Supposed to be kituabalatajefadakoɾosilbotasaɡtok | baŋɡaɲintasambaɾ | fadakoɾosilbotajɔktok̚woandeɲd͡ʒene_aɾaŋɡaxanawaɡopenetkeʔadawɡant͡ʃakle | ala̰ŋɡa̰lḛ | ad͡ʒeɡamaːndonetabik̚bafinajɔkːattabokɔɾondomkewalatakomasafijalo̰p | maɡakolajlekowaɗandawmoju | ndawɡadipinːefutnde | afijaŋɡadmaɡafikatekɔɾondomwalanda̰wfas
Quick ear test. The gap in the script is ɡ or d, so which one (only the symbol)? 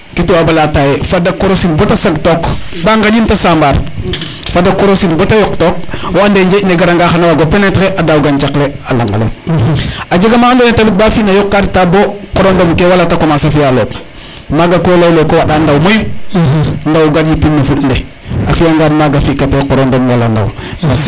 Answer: ɡ